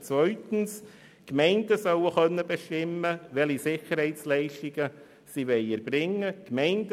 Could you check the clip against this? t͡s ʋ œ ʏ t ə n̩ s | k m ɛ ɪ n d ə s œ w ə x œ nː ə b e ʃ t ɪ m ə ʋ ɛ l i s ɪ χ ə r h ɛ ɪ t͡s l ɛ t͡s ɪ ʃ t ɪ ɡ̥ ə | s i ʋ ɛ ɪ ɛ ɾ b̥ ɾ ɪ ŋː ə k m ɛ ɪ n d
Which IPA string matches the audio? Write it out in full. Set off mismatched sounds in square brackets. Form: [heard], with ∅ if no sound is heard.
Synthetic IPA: t͡s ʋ œ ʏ t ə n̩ s | k m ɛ ɪ n d ə s œ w ə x œ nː ə b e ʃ t ɪ m ə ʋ ɛ l i s ɪ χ ə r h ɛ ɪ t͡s l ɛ [∅] ɪ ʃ t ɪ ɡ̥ ə | s i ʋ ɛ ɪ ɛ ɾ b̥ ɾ ɪ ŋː ə k m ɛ ɪ n d